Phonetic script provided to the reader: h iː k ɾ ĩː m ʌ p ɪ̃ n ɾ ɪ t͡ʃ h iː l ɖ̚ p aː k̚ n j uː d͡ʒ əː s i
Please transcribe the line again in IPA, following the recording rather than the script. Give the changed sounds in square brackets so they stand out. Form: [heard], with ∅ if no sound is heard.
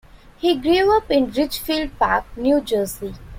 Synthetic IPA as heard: h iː [ɡ] ɾ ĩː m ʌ p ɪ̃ n ɾ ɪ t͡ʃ [f] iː l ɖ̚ p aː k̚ n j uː d͡ʒ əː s i